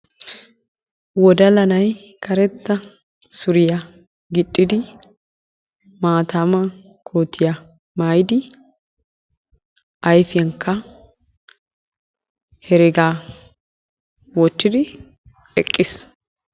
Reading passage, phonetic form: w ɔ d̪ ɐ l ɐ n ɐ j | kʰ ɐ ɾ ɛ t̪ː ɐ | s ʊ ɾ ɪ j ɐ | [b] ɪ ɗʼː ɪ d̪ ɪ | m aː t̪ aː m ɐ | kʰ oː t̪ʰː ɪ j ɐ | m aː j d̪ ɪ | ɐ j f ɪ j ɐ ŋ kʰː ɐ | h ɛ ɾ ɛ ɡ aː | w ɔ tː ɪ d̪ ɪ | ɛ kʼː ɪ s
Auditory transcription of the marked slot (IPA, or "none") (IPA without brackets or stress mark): ɡ